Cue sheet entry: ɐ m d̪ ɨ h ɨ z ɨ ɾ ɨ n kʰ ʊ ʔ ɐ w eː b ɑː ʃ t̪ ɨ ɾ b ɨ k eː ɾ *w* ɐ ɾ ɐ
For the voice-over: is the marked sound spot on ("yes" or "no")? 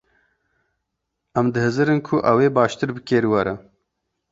yes